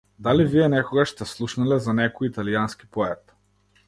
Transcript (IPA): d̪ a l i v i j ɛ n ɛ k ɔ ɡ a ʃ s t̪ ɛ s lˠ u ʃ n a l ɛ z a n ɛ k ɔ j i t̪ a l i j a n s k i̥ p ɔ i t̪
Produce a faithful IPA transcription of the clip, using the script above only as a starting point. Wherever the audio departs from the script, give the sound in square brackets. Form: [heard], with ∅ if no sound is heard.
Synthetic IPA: d̪ a l i v i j ɛ n ɛ k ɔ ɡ a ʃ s t̪ ɛ s lˠ u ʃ n a l ɛ z a n ɛ k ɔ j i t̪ a l i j a n s k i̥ p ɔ [ɛ] t̪